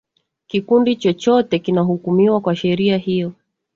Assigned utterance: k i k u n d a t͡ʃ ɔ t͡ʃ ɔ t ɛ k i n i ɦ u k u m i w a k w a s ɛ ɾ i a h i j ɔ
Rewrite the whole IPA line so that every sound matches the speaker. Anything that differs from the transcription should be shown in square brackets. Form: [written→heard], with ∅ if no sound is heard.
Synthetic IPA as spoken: k i k u n d [a→i] t͡ʃ ɔ t͡ʃ ɔ t ɛ k i n [i→a] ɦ u k u m i w a k w a [s→ʃ] ɛ ɾ i a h i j ɔ